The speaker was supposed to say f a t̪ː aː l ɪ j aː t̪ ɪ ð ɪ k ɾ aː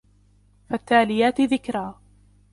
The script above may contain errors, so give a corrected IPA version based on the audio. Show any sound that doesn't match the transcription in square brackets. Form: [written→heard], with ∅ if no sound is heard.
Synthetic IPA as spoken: f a t̪ː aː l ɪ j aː t̪ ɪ ð ɪ k ɾ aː

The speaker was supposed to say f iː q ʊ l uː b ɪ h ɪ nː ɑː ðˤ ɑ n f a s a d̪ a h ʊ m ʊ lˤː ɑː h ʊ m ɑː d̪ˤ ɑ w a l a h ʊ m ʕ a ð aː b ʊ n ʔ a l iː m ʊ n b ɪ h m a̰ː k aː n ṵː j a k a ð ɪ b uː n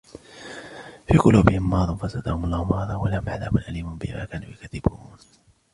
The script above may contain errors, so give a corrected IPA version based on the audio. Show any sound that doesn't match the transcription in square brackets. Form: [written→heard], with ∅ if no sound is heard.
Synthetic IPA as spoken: f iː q ʊ l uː b ɪ h ɪ [nː→mː] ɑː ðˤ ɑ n f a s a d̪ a h ʊ m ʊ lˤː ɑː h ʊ m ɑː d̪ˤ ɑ w a l a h ʊ m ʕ a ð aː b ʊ n ʔ a l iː m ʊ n b ɪ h m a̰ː k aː n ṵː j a k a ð ɪ b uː n

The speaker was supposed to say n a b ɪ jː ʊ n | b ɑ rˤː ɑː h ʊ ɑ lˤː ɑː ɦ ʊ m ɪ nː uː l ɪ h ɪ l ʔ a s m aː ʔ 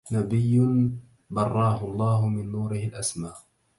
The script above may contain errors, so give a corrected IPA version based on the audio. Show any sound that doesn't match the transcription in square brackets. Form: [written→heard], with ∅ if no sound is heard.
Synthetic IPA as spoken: n a b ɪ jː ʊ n | b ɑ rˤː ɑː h ʊ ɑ lˤː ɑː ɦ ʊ m ɪ nː uː [l→ɾ] ɪ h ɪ l ʔ a s m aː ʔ

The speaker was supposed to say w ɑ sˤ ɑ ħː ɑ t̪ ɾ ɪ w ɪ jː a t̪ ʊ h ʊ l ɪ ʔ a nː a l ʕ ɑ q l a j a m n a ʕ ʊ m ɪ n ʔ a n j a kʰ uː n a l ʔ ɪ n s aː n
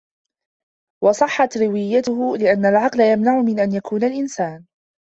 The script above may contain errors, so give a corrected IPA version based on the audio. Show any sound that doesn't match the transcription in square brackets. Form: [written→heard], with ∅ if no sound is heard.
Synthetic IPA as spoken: w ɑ sˤ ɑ ħː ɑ t̪ ɾ ɪ w ɪ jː a t̪ ʊ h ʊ l ɪ ʔ a nː a l ʕ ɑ q l a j a m n a ʕ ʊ m ɪ n ʔ a n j a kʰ uː n a l ʔ ɪ n s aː n

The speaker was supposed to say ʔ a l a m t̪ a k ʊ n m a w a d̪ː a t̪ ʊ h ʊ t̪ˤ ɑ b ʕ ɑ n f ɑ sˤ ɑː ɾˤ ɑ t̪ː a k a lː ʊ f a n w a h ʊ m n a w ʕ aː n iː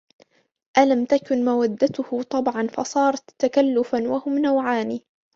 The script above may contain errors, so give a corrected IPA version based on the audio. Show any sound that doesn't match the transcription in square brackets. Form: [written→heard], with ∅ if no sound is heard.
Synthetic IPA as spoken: ʔ a l a m t̪ a k ʊ n m a w a d̪ː a t̪ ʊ h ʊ t̪ˤ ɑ b ʕ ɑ n f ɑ sˤ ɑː ɾˤ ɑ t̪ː a k a lː ʊ f a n w a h ʊ m n a w ʕ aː n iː

